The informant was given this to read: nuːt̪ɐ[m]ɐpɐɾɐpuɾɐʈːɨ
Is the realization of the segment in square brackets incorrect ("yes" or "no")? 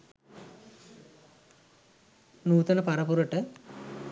yes